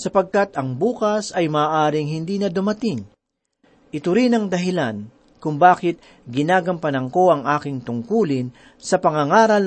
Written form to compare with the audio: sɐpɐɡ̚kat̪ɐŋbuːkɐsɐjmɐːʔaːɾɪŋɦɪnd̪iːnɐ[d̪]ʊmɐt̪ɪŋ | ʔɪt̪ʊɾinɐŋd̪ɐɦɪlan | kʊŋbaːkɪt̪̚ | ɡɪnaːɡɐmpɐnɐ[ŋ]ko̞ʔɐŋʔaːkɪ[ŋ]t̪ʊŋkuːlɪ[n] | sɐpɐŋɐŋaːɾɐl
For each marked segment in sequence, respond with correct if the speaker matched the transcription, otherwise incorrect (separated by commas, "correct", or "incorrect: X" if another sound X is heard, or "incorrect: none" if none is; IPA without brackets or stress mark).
correct, correct, correct, correct